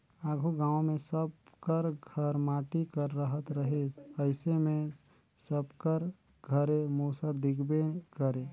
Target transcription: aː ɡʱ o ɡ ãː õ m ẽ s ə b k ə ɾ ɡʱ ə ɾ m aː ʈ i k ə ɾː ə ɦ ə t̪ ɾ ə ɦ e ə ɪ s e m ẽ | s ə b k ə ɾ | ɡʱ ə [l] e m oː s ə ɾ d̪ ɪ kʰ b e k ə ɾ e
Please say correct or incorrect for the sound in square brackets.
incorrect